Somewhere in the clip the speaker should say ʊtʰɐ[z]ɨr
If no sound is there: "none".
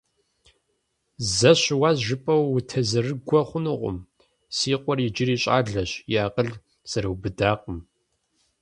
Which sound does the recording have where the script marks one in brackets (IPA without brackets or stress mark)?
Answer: z